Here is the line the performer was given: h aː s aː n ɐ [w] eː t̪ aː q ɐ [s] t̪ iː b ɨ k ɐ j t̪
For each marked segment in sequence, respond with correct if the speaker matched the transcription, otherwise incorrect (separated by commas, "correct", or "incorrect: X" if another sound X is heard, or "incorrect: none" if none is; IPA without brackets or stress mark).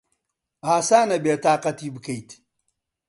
incorrect: b, incorrect: none